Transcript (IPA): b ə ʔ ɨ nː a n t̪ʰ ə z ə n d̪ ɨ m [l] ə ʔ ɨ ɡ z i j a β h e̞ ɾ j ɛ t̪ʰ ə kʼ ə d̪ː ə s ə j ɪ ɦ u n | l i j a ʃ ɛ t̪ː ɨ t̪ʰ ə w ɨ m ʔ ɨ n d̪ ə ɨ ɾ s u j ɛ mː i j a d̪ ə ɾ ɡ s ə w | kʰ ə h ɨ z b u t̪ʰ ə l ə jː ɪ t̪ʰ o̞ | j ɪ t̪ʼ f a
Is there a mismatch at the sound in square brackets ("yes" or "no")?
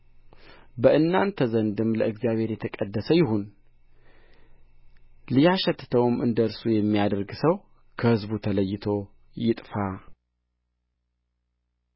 no